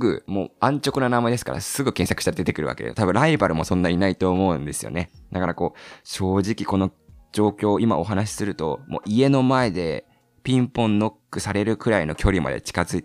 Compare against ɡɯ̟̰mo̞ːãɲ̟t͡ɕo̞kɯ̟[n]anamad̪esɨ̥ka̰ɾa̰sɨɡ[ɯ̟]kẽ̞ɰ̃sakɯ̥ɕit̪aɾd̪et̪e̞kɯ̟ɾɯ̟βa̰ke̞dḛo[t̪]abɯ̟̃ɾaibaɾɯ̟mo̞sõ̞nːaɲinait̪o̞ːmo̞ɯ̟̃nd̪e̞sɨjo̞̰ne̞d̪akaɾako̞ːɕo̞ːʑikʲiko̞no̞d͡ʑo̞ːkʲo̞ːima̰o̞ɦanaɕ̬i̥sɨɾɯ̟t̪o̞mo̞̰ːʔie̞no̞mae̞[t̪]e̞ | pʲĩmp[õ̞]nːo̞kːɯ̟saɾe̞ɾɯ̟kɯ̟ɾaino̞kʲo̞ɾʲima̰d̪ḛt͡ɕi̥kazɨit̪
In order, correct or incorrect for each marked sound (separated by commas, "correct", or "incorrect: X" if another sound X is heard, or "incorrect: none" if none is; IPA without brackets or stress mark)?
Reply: correct, correct, correct, incorrect: d̪, correct